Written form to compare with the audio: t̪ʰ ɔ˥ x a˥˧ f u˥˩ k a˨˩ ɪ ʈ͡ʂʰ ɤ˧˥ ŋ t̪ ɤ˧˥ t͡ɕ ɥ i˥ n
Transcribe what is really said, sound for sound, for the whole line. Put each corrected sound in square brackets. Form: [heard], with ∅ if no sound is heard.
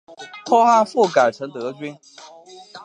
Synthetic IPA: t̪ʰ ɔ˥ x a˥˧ f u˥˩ k a˨˩ ɪ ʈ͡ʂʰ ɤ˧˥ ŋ t̪ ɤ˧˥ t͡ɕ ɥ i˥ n

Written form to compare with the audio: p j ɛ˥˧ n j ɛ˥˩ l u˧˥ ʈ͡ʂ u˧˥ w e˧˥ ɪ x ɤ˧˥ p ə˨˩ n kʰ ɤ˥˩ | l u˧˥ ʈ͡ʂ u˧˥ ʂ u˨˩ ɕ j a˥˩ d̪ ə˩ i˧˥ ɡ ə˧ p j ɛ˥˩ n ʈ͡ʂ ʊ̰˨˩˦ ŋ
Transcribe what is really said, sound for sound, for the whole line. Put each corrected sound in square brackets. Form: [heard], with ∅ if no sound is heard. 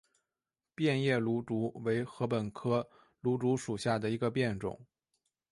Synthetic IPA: p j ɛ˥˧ n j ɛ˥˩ l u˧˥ ʈ͡ʂ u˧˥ w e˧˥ ɪ x ɤ˧˥ p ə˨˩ n kʰ [ɤ˥] | l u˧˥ ʈ͡ʂ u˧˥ ʂ u˨˩ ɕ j a˥˩ d̪ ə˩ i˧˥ ɡ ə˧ p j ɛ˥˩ n ʈ͡ʂ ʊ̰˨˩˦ ŋ

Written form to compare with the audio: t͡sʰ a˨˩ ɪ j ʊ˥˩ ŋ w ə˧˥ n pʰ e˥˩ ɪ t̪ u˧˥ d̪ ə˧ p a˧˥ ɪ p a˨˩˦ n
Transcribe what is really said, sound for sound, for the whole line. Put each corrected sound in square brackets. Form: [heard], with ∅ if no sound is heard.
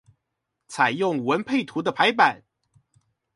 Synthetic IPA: t͡sʰ a˨˩ ɪ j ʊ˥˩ ŋ w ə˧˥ n pʰ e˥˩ ɪ [t̪ʰ] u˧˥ d̪ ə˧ [pʰ] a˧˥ ɪ p a˨˩˦ n

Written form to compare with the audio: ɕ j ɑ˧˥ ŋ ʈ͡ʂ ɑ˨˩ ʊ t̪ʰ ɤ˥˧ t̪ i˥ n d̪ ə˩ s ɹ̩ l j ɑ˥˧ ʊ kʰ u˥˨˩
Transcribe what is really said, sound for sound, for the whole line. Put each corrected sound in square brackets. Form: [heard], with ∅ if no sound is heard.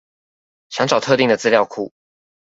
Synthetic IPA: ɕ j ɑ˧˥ ŋ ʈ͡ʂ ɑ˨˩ ʊ t̪ʰ ɤ˥˧ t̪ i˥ [ŋ] d̪ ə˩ [t͡s] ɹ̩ l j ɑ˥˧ ʊ kʰ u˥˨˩

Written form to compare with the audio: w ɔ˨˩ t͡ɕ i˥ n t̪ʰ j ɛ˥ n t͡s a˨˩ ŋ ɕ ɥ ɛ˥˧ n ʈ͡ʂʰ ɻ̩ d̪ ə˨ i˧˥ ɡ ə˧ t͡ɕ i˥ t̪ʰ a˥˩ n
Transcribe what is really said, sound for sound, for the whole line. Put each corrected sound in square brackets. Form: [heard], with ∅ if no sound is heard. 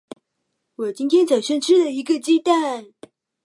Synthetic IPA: w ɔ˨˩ t͡ɕ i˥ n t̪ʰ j ɛ˥ n t͡s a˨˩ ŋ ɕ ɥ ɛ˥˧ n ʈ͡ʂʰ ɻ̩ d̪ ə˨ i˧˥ ɡ ə˧ t͡ɕ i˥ [t̪] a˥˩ n

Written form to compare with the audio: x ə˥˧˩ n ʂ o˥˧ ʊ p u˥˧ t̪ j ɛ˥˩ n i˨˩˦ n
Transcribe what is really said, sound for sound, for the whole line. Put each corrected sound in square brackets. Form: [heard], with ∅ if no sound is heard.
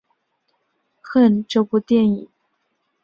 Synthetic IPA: x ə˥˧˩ n [ʈ͡ʂ] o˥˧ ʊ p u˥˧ t̪ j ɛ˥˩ n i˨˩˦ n

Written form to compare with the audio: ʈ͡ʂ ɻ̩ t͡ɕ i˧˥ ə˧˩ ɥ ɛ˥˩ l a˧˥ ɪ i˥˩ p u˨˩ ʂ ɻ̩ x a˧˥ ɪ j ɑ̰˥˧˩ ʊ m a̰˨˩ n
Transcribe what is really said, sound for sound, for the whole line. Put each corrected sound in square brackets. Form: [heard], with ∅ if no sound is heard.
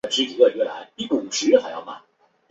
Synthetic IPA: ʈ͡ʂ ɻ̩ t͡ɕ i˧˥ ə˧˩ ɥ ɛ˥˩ l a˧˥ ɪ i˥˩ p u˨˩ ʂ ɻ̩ x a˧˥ ɪ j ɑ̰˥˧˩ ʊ m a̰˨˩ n

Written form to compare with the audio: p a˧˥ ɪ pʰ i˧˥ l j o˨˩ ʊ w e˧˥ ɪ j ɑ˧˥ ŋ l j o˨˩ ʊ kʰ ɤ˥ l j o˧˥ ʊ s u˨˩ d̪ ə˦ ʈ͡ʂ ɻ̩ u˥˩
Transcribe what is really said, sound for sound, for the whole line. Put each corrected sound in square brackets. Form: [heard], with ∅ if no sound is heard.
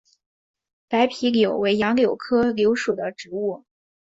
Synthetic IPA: p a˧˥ ɪ pʰ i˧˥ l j o˨˩ ʊ w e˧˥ ɪ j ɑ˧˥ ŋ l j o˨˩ ʊ kʰ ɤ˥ l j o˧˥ ʊ [ʂ] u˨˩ d̪ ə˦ ʈ͡ʂ ɻ̩ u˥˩

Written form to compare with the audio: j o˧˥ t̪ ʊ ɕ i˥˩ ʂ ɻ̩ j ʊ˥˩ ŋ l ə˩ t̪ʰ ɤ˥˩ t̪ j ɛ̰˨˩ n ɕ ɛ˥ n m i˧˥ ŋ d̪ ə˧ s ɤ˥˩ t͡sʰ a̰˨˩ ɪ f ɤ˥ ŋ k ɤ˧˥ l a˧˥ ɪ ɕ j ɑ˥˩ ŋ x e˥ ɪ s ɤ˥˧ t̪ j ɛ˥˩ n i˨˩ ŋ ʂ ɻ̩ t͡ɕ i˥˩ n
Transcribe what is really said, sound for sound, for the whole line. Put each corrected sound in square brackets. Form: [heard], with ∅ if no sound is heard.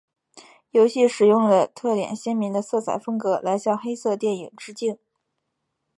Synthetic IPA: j o˧˥ [∅] ʊ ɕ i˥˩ ʂ ɻ̩ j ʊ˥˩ ŋ l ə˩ t̪ʰ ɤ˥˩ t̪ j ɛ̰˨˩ n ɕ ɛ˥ n m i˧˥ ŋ d̪ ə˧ s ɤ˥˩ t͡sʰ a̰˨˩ ɪ f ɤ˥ ŋ k ɤ˧˥ l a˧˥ ɪ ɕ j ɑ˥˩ ŋ x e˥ ɪ s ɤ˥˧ t̪ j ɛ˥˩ n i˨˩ ŋ [ʈ͡ʂ] ɻ̩ t͡ɕ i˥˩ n

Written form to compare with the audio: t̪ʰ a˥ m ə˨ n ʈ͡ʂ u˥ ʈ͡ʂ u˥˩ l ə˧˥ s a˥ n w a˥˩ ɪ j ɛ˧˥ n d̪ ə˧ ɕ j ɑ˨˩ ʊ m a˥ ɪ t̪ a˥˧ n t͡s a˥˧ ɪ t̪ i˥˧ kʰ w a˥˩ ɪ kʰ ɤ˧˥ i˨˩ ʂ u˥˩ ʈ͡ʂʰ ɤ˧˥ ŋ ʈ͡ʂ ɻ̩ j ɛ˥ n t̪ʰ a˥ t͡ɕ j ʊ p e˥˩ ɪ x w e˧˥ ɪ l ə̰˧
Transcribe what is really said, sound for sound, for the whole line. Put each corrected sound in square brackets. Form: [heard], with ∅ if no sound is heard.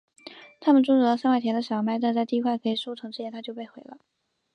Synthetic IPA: t̪ʰ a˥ m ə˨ n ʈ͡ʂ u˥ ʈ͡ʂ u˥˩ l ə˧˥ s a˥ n w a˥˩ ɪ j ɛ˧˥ n d̪ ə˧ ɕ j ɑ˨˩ ʊ m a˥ ɪ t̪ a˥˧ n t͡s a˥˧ ɪ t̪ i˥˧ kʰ w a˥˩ ɪ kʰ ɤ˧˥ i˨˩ ʂ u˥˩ ʈ͡ʂʰ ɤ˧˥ ŋ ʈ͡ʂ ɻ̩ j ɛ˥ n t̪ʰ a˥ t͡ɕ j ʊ p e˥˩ ɪ x w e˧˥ ɪ l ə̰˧

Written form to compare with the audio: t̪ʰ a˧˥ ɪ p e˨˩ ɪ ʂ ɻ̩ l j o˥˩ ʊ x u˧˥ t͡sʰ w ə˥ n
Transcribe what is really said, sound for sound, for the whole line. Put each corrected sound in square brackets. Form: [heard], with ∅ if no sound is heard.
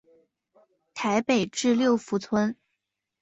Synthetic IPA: t̪ʰ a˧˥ ɪ p e˨˩ ɪ [ʈ͡ʂ] ɻ̩ l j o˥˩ ʊ [f] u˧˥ t͡sʰ w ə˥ n

